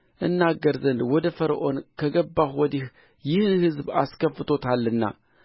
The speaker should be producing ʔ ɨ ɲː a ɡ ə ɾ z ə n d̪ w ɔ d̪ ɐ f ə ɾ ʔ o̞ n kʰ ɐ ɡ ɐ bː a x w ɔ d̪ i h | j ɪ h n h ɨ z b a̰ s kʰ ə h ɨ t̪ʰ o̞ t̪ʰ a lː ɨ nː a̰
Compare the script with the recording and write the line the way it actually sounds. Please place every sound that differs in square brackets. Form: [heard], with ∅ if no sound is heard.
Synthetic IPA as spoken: ʔ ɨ [nː] a ɡ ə ɾ z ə n d̪ w ɔ d̪ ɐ f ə ɾ ʔ o̞ n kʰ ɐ ɡ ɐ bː a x w ɔ d̪ i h | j ɪ h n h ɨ z b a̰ s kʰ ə [f] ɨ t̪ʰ o̞ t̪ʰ a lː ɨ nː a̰